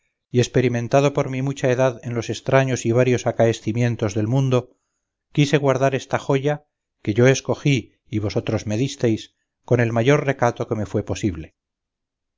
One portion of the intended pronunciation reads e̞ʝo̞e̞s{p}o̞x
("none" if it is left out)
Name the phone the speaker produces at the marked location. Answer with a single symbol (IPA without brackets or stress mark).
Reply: k